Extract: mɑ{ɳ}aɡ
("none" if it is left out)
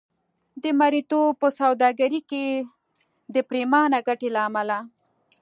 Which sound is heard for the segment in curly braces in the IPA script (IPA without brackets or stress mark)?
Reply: n